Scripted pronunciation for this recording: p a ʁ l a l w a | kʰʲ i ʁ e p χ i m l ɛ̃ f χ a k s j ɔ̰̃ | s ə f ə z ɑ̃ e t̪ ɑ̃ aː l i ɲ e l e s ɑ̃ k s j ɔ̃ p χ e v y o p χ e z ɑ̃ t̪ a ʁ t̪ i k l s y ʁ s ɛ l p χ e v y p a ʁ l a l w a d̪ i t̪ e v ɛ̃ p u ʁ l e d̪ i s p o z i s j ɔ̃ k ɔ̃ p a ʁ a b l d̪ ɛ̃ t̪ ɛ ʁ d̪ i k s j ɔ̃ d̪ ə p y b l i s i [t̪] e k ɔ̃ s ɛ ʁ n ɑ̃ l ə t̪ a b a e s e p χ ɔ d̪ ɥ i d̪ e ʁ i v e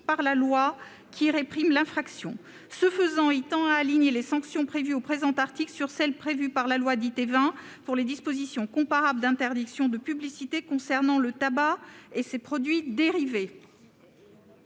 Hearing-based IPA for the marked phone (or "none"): t̪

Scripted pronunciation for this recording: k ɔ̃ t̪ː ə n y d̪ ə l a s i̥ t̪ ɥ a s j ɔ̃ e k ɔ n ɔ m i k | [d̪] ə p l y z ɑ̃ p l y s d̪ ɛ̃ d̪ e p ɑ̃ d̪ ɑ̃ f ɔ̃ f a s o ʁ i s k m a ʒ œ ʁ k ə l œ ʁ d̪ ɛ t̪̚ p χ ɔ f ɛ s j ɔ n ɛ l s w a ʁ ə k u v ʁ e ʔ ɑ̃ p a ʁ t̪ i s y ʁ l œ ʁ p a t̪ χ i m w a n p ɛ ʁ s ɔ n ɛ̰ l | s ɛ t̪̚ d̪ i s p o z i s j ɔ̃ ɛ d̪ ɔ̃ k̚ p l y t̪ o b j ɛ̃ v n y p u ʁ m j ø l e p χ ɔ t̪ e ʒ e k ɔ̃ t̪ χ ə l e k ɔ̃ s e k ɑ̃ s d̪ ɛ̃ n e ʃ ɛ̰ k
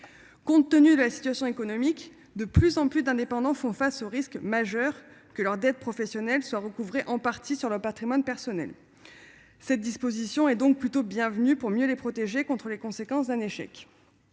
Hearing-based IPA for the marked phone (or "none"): d̪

